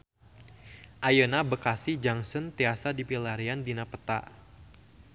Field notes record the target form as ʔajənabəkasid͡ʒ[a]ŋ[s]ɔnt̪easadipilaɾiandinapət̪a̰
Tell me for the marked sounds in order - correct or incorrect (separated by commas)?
correct, correct